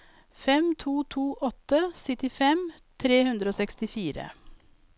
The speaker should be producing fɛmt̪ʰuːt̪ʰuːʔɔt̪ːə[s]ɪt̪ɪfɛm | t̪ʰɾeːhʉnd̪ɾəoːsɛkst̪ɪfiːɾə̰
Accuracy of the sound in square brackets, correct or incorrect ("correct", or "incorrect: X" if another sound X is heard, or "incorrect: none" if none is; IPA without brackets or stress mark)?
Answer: correct